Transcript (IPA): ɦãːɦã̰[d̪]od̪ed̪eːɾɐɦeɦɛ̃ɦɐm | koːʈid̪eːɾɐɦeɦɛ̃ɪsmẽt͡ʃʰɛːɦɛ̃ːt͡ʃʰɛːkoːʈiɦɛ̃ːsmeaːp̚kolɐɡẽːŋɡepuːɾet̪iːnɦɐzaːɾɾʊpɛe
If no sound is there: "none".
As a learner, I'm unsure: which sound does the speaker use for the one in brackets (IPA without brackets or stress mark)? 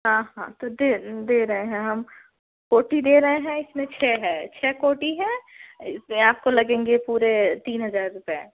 t̪